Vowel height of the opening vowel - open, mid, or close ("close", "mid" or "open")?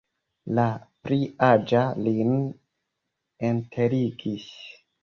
open